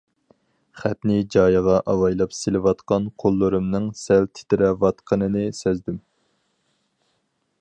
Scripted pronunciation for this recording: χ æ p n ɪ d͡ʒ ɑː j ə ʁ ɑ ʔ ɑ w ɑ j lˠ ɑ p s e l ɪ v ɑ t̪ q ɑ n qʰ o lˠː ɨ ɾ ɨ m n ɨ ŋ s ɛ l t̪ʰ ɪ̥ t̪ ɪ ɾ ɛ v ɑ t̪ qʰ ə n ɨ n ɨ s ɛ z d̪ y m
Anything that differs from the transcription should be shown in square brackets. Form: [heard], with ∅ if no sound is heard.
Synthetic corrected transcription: χ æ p n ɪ d͡ʒ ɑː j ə ʁ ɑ ʔ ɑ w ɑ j lˠ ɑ p s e l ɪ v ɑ t̪ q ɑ n qʰ o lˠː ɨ ɾ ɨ m n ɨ ŋ s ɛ l t̪ʰ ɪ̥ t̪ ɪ ɾ ɛ v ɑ t̪ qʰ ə n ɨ n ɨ s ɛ z d̪ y m